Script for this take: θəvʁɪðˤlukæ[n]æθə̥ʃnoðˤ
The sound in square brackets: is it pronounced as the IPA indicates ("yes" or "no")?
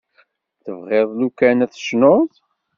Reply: yes